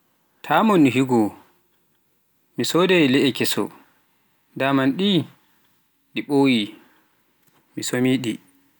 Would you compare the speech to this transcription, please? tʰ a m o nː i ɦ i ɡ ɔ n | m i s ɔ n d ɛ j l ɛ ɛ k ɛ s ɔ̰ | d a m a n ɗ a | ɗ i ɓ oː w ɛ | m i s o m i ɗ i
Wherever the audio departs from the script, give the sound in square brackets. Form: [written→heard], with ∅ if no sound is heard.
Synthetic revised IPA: tʰ a m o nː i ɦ i ɡ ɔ [n→∅] | m i s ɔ [n→∅] d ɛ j l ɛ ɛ k ɛ s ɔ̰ | d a m a n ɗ [a→i] | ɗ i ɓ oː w [ɛ→i] | m i s o m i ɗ i